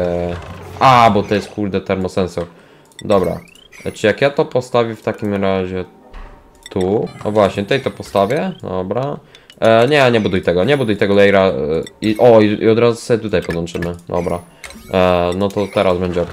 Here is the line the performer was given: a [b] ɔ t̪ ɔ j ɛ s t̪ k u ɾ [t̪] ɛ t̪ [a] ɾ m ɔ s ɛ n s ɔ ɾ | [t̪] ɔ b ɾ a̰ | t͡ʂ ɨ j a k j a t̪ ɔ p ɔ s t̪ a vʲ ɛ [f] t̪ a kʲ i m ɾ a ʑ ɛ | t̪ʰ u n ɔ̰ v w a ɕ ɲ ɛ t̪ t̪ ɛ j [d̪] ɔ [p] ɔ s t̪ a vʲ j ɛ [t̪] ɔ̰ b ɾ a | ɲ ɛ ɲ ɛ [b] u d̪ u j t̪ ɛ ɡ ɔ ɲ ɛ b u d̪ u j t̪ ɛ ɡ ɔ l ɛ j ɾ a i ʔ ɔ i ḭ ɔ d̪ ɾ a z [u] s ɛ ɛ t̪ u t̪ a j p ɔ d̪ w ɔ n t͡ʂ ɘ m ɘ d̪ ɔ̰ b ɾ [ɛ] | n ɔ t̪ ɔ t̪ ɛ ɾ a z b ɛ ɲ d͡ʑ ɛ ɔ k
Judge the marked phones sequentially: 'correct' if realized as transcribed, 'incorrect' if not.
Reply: correct, incorrect: d̪, incorrect: ɛ, incorrect: d̪, correct, incorrect: t̪, correct, incorrect: d̪, correct, correct, incorrect: a

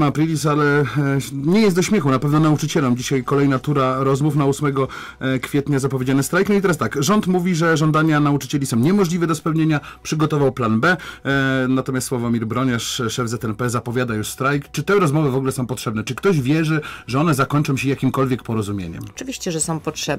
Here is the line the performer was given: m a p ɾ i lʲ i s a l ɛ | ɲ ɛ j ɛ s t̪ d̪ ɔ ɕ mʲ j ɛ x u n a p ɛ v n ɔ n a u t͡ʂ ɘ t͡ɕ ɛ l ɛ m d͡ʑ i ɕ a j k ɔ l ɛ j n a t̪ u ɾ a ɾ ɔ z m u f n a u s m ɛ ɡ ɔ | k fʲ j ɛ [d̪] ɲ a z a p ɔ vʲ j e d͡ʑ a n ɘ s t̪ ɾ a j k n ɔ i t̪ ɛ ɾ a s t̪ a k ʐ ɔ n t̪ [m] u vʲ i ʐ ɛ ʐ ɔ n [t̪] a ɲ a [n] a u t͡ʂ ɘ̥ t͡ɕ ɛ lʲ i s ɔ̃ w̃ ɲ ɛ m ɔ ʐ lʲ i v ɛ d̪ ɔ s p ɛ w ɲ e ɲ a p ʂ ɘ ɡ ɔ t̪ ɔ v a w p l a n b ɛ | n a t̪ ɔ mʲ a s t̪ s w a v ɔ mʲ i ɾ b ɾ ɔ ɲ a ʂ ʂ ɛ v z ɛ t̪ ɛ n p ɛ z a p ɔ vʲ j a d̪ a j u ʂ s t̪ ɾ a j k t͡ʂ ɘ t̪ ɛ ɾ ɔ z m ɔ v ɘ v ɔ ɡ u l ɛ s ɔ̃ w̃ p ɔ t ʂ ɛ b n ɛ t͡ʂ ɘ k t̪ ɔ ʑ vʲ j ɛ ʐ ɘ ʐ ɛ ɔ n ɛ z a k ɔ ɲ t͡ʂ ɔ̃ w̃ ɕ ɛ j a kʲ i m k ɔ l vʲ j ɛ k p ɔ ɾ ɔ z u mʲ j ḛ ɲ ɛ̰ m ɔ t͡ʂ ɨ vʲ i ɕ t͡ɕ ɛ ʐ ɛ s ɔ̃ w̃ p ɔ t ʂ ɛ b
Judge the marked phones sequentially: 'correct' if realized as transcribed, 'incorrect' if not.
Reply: incorrect: t̪, correct, incorrect: d̪, correct

